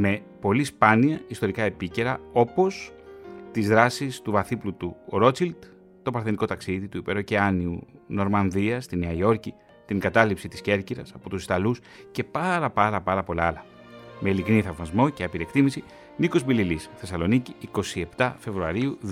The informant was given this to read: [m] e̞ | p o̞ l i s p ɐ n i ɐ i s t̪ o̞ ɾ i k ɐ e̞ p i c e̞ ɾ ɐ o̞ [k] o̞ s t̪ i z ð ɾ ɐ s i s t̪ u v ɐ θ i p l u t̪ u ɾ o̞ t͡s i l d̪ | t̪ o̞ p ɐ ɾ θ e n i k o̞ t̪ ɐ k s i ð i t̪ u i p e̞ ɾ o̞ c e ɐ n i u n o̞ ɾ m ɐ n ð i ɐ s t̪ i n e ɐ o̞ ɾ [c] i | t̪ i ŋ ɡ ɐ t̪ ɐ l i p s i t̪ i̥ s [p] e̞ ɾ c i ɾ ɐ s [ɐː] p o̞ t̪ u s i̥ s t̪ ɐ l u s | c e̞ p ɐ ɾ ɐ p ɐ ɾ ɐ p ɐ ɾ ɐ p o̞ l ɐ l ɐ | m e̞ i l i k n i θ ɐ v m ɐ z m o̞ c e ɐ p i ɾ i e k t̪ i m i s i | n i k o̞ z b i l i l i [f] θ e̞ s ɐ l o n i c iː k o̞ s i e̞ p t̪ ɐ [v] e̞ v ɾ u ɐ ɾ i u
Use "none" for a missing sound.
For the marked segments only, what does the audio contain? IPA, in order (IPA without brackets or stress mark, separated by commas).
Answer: m, p, c, c, ɐ, s, f